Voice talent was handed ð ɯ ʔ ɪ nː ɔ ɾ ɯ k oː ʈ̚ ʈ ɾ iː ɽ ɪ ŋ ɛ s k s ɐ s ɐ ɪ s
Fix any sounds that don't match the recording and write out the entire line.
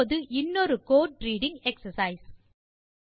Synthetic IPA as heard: ð ɯ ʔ ɪ nː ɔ ɾ ɯ k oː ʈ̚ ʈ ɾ iː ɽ ɪ ŋ ɛ k s ɐ s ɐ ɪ s